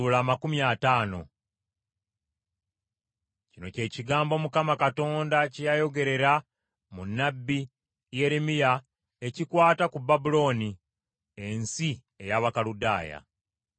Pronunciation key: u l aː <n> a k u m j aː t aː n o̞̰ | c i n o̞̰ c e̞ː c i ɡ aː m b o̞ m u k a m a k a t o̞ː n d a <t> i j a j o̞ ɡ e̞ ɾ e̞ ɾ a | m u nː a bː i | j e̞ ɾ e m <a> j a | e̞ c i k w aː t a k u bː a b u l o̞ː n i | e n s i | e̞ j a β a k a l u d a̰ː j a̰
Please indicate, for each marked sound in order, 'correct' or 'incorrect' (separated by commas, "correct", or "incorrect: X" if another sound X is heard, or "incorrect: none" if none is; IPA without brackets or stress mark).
incorrect: m, incorrect: c, incorrect: i